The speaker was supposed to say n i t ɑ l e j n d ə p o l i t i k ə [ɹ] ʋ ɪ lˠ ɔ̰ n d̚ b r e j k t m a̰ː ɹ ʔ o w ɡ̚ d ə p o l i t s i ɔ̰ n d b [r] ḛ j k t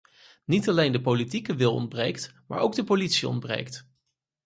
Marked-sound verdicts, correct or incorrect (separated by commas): incorrect, correct